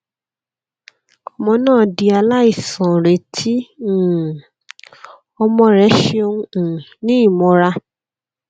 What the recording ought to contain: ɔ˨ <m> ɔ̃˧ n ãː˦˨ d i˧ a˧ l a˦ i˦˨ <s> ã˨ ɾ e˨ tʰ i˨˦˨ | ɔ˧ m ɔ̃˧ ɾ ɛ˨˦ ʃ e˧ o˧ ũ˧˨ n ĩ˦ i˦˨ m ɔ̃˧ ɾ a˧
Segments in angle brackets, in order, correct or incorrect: correct, correct

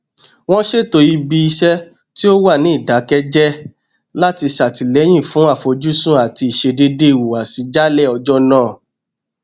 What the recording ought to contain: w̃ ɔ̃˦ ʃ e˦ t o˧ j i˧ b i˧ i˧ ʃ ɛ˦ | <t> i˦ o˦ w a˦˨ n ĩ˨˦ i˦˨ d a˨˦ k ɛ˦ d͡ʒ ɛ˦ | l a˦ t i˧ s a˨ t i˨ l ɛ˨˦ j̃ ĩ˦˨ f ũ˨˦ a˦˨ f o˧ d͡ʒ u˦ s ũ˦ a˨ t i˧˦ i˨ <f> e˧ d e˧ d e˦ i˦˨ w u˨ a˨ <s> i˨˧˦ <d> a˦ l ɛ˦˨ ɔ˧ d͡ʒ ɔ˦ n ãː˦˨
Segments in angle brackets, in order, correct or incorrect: correct, incorrect, correct, incorrect

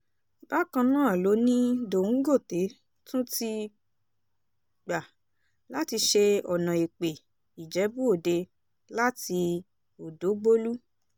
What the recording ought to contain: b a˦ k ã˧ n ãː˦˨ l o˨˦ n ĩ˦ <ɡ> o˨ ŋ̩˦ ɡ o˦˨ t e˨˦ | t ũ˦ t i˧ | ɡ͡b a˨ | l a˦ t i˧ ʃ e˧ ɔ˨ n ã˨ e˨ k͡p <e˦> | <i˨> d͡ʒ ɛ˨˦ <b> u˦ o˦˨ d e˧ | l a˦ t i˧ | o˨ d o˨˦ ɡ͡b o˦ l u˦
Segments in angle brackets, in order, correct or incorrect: incorrect, incorrect, correct, correct

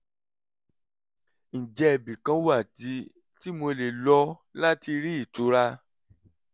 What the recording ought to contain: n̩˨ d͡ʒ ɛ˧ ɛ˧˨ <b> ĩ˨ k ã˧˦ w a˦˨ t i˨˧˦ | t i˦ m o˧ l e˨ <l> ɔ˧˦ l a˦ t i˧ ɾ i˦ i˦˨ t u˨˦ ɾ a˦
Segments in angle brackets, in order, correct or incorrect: correct, correct

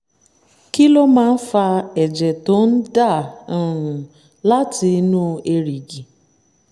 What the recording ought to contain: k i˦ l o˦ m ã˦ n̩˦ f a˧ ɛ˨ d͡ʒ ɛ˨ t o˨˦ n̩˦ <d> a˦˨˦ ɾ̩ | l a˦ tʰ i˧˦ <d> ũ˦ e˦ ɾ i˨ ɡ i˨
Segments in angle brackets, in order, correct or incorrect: correct, incorrect

